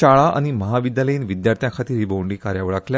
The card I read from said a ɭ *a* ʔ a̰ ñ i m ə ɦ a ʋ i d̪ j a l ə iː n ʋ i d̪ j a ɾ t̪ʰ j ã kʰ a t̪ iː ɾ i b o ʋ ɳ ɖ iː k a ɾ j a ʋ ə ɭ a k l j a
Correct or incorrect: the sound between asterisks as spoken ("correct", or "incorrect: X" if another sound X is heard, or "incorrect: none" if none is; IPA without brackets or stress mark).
correct